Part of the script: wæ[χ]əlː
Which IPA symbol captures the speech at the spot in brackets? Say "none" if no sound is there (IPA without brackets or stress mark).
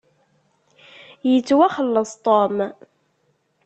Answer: χ